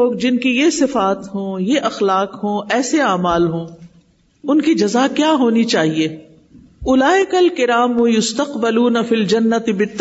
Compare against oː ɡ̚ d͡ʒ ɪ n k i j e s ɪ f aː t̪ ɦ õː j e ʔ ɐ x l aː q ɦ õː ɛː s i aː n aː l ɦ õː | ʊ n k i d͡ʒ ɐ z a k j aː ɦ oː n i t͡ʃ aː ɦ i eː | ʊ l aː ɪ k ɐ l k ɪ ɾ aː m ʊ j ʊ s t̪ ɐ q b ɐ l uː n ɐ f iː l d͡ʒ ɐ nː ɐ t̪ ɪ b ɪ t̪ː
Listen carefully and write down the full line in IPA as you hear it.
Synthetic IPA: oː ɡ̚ d͡ʒ ɪ n k i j e s ɪ f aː t̪ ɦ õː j e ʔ ɐ x l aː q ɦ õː ɛː s e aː m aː l ɦ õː | ʊ n k i d͡ʒ ɐ z a k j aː ɦ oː n i t͡ʃ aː ɦ i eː | ʊ l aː ɪ k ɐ l k ɪ ɾ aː m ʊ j ʊ s t̪ ɐ q b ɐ l uː n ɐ f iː l d͡ʒ ɐ nː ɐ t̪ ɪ b ɪ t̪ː